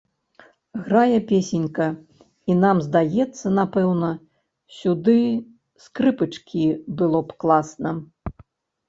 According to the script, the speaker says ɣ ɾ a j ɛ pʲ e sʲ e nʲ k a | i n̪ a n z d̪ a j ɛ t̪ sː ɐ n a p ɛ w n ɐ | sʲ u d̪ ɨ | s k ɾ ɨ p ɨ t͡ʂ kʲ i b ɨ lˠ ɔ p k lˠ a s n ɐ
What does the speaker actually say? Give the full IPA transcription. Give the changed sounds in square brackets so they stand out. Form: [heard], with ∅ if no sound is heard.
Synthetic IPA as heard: ɣ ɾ a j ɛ pʲ e sʲ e nʲ k [ɐ] | i n̪ a [m] z d̪ a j ɛ t̪ sː ɐ n a p ɛ w n ɐ | sʲ u d̪ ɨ | s k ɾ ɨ p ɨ t͡ʂ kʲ i b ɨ lˠ ɔ p k lˠ a s n ɐ